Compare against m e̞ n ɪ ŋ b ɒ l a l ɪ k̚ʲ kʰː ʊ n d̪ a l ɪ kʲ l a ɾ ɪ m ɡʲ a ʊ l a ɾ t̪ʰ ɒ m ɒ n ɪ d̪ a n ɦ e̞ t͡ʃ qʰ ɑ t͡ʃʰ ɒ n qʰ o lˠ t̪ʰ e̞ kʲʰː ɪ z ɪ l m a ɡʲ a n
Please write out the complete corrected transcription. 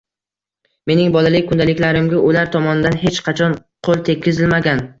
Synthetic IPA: m e̞ n ɪ ŋ b ɒ l a l ɪ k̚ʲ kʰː ʊ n d̪ a l ɪ kʲ l a ɾ ɪ m ɡʲ a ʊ l a ɾ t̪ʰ ɒ m ɒ n ɪ d̪ a n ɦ e̞ t͡ʃ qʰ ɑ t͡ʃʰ ɒ n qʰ o lˠ t̪ʰ e̞ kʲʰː ɪ z ɪ l m a ɡʲ a n